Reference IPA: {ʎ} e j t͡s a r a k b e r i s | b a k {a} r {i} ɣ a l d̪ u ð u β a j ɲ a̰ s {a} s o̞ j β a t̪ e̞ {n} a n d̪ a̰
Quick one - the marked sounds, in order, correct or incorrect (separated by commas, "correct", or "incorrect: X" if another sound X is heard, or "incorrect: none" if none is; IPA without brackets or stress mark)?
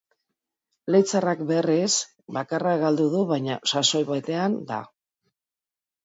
incorrect: l, correct, incorrect: a, correct, incorrect: none